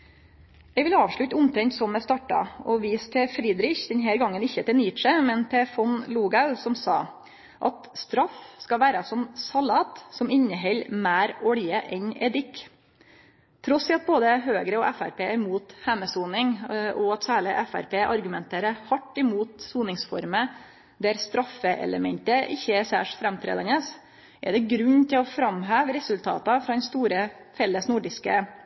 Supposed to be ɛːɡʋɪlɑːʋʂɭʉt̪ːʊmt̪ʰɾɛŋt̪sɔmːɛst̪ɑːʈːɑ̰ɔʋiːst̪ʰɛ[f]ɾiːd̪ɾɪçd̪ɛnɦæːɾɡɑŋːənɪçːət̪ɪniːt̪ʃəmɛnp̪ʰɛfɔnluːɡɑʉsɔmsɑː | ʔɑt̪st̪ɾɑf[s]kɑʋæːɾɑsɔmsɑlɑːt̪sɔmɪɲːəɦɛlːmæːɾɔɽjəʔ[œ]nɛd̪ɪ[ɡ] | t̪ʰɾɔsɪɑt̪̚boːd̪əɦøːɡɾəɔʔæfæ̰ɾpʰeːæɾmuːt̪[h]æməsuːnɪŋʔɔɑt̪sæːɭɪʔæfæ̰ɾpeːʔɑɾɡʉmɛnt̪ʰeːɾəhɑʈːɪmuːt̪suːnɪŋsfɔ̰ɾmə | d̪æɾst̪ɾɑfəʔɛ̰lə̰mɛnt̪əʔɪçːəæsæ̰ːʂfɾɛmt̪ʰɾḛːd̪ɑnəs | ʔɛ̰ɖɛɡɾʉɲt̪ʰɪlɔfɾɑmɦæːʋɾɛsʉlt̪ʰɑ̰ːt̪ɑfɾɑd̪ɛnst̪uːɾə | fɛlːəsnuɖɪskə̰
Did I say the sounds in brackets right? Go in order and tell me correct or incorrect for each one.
correct, correct, incorrect: ɛ, incorrect: k, correct

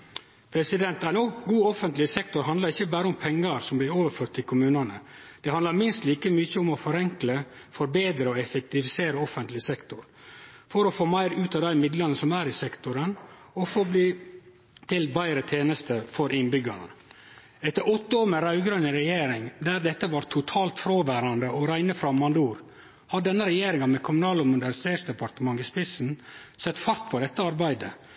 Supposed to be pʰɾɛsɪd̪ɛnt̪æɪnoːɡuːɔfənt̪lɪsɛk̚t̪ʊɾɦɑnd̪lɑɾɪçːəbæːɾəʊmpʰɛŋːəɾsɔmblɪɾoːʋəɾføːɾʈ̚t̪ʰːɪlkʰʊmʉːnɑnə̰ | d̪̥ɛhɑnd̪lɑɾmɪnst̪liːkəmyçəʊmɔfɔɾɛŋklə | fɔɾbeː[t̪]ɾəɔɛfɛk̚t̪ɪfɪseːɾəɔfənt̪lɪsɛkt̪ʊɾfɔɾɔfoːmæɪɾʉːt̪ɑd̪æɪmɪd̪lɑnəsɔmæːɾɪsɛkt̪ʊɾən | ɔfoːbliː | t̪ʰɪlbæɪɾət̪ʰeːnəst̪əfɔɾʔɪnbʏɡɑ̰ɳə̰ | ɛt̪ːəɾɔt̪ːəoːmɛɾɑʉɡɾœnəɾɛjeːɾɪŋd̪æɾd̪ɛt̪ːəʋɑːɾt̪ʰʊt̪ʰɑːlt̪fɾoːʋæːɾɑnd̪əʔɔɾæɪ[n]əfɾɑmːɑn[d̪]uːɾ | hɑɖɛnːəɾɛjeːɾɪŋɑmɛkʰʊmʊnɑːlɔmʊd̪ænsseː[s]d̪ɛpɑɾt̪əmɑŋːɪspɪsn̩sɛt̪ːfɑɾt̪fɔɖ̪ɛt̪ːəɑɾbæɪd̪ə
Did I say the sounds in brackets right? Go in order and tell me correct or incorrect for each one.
incorrect: d̪, correct, correct, correct

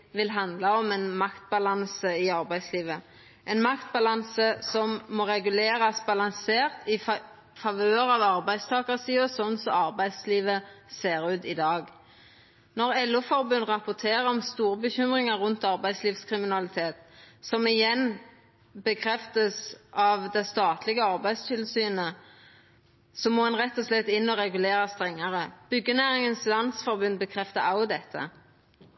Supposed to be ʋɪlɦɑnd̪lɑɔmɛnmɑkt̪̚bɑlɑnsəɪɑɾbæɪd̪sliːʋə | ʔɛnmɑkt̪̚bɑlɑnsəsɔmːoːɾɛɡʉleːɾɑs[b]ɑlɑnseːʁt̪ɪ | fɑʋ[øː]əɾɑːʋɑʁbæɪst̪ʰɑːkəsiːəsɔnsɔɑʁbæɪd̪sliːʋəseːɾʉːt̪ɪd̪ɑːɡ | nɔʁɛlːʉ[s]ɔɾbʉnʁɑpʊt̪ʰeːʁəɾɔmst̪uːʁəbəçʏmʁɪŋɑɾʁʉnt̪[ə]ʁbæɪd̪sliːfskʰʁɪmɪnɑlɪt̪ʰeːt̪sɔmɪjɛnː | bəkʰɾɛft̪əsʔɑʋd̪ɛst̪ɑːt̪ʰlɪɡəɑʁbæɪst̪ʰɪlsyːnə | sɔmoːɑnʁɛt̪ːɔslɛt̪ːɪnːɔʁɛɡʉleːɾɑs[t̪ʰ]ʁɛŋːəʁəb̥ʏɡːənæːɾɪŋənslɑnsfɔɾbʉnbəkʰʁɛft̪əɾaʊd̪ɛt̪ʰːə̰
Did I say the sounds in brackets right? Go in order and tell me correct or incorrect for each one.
correct, correct, incorrect: f, incorrect: ɑ, incorrect: t̪

